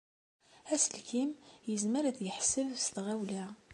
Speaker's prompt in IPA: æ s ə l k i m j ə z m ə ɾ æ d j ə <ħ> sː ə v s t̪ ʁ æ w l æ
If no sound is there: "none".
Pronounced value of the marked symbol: ħ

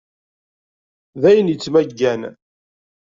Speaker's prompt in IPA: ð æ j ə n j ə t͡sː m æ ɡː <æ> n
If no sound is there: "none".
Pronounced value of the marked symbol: æ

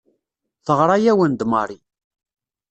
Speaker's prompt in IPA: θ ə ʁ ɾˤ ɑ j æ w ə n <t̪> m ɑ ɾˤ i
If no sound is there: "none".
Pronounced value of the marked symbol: d̪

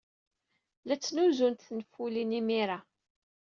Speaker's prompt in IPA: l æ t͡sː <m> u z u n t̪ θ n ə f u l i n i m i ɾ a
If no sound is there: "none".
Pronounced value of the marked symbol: n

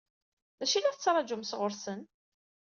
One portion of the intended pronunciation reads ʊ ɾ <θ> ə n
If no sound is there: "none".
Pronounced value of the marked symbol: s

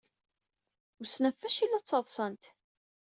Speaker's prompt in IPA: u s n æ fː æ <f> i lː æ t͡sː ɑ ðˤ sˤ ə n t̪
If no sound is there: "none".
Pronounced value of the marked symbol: ʃ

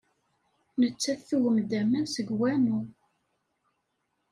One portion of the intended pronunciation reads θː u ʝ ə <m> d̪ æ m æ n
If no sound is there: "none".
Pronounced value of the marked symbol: m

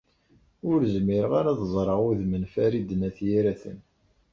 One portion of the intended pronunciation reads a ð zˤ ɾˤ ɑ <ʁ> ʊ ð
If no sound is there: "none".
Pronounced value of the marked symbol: ʁ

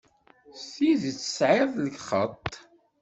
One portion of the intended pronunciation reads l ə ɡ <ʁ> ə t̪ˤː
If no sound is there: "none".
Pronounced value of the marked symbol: χ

